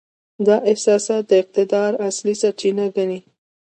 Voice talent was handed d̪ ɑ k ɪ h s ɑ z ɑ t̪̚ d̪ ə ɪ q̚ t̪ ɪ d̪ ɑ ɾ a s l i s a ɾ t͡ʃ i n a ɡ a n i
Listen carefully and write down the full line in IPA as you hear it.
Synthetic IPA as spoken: d̪ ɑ ʔ ɪ h s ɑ s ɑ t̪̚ d̪ ə ɪ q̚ t̪ ɪ d̪ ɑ ɾ a s l i s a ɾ t͡ʃ i n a ɡ a n i